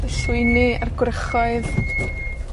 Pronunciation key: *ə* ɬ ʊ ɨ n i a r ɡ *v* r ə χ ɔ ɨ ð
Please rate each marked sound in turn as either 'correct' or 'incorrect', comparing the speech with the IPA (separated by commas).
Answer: correct, incorrect